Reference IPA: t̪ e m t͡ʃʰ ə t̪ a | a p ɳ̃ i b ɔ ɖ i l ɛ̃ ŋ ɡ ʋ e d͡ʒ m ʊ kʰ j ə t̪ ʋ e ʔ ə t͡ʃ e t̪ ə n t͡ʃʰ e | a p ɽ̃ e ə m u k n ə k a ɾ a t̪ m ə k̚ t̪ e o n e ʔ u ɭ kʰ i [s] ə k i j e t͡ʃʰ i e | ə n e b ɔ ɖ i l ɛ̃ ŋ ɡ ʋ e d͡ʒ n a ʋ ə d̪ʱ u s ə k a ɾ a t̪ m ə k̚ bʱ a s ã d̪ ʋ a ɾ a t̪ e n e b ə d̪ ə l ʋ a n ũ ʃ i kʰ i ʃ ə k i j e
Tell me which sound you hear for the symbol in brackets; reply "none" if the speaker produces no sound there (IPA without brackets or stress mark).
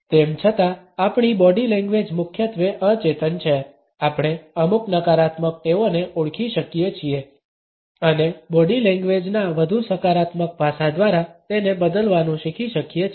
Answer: ʃ